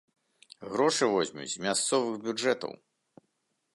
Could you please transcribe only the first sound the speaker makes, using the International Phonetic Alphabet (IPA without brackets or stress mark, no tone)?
ɣ